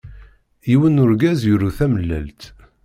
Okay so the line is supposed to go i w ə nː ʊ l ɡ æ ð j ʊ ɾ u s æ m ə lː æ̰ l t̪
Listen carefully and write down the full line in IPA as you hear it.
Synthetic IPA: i w ə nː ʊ ɾ ɡ æ z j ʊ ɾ u θ æ m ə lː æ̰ l t̪